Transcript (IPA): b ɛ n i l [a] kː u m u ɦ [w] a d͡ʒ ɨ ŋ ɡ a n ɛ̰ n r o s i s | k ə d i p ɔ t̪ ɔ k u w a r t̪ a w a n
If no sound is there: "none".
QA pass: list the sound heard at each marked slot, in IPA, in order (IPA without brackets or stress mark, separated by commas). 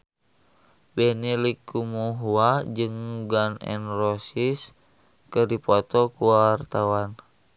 i, u